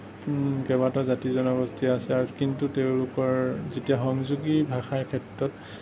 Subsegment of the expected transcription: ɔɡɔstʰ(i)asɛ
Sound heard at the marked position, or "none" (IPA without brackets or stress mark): i